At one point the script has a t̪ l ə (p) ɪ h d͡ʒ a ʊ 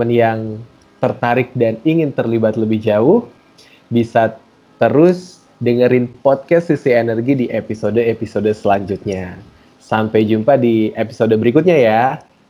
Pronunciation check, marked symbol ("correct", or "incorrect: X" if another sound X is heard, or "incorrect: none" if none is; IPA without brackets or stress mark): incorrect: b